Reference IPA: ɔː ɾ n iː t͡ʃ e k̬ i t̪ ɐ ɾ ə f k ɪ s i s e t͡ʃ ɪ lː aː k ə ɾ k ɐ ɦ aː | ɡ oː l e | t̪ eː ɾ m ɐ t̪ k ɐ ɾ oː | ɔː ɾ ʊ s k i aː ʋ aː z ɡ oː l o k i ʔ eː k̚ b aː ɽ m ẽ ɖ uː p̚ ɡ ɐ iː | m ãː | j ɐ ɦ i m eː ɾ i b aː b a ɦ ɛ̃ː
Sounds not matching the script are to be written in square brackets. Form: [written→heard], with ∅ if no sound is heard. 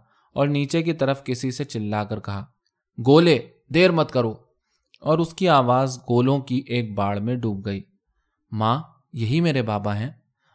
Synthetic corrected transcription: ɔː ɾ n iː t͡ʃ e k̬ i t̪ ɐ ɾ ə f k ɪ s i s e t͡ʃ ɪ lː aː k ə ɾ k ɐ ɦ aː | ɡ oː l e | [t̪→d̪] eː ɾ m ɐ t̪ k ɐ ɾ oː | ɔː ɾ ʊ s k i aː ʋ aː z ɡ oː l [o→õ] k i ʔ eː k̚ b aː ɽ m ẽ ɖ uː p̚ ɡ ɐ iː | m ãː | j ɐ ɦ i m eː ɾ [i→e] b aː b a ɦ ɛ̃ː